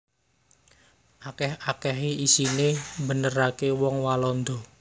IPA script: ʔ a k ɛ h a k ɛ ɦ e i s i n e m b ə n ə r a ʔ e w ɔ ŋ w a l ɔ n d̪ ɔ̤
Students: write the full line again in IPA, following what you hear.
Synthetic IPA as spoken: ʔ a k ɛ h a k ɛ ɦ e i s i n e m b ə n ə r a k e w ɔ ŋ w a l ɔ n d̪ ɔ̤